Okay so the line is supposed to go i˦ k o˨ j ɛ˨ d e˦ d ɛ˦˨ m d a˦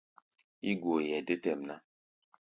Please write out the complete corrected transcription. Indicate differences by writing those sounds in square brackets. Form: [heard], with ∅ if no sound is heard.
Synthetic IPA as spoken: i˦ [ɡ] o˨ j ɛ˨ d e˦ [t] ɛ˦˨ m [n] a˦